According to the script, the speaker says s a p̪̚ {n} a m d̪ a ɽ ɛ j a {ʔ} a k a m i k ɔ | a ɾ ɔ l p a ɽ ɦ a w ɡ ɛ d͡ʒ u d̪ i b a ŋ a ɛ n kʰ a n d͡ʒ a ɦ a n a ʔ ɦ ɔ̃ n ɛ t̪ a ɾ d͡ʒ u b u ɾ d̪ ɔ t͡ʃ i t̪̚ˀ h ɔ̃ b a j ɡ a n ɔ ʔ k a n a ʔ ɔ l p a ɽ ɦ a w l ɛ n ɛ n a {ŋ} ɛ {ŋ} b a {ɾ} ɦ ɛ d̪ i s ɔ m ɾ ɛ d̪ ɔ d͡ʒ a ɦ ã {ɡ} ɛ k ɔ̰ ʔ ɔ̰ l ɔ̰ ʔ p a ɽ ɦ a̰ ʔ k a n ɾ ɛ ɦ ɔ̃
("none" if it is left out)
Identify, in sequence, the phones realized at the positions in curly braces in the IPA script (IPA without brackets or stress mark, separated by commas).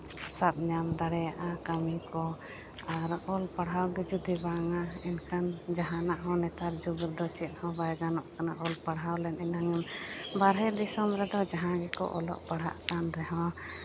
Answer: ɲ, ʔ, ŋ, m, ɾ, ɡ